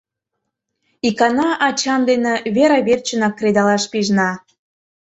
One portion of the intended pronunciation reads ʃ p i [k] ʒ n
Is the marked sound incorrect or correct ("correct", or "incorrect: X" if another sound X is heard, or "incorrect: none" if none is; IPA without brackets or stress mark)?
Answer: incorrect: none